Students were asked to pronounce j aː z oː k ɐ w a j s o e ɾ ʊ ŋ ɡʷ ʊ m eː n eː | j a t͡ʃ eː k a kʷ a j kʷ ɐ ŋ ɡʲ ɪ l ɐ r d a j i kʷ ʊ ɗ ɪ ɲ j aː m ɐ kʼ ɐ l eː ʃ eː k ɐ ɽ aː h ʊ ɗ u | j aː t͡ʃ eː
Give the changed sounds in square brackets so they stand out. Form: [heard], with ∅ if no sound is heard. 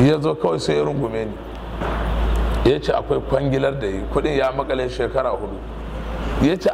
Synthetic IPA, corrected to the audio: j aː z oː k ɐ w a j s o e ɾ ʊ ŋ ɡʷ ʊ m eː n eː | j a t͡ʃ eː [ʔ] a kʷ a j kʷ ɐ ŋ ɡʲ ɪ l ɐ r d a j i kʷ ʊ ɗ ɪ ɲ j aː m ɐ kʼ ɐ l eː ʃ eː k ɐ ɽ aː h ʊ ɗ u | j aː t͡ʃ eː